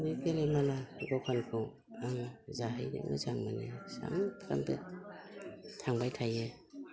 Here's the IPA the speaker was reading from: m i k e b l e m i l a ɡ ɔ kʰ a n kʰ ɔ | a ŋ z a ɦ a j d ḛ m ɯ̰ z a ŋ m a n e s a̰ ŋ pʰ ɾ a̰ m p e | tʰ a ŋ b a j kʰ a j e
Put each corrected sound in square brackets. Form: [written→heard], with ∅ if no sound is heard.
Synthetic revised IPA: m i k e [b→∅] l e m [i→a] l a ɡ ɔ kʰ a n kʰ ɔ | a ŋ z a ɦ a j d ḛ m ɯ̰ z a ŋ m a n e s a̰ ŋ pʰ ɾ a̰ m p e | tʰ a ŋ b a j [kʰ→tʰ] a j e